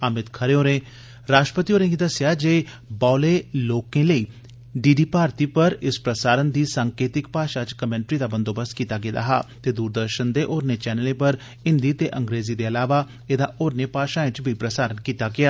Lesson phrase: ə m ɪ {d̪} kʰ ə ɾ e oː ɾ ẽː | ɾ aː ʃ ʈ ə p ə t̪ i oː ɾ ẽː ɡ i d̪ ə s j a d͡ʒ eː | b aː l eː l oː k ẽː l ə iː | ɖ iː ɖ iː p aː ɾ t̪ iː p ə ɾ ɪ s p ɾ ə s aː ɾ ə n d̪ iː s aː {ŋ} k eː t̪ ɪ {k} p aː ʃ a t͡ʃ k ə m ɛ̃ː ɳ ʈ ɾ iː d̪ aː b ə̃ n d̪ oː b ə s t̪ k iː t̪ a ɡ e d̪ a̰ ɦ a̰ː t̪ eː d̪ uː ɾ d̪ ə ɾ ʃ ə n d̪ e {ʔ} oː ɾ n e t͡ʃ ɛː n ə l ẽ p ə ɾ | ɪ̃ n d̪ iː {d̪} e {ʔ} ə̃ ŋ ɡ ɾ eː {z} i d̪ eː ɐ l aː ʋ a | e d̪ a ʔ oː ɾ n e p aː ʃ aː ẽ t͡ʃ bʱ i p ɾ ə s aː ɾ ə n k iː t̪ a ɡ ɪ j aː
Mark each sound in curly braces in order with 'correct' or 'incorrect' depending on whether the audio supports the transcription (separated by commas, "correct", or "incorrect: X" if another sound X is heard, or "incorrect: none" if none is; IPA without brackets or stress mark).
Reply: incorrect: t̪, correct, correct, correct, incorrect: t̪, correct, correct